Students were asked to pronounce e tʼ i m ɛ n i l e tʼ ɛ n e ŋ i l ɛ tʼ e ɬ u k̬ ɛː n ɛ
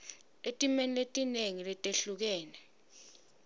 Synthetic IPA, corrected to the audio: e tʼ i m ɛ n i l e tʼ i n e ŋ i l ɛ tʼ e ɬ u k̬ ɛː n ɛ